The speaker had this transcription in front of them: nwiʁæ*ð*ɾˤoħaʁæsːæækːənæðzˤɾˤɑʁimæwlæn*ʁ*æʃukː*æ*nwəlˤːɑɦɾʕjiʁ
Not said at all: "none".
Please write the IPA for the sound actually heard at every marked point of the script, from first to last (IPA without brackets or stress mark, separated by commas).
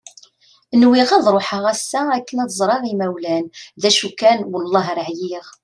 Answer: ð, ð, æ